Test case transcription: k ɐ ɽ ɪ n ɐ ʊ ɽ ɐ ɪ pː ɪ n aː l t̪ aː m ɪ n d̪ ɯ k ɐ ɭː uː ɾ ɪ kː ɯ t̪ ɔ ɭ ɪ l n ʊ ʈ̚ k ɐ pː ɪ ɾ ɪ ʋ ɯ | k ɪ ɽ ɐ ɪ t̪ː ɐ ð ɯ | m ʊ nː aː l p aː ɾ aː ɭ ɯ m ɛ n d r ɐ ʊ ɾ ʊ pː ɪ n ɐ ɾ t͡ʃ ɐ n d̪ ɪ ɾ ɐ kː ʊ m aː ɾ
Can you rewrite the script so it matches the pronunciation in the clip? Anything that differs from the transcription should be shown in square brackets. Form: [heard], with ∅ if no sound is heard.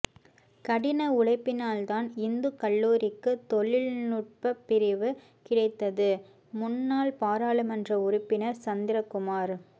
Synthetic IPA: k ɐ ɽ ɪ n ɐ ʊ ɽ ɐ ɪ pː ɪ n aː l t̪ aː [n] ɪ n d̪ ɯ k ɐ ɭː uː ɾ ɪ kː ɯ t̪ ɔ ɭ ɪ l n ʊ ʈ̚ [p] ɐ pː ɪ ɾ ɪ ʋ ɯ | k ɪ ɽ ɐ ɪ t̪ː ɐ ð ɯ | m ʊ nː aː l p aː ɾ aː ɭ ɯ m ɛ n d r ɐ ʊ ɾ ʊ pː ɪ n ɐ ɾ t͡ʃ ɐ n d̪ ɪ ɾ ɐ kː ʊ m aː ɾ